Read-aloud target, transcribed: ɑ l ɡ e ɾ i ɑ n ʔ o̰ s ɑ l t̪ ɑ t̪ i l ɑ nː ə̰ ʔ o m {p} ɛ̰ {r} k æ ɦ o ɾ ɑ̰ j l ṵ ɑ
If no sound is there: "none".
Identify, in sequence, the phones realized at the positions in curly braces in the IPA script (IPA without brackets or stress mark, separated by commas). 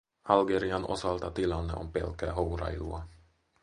p, l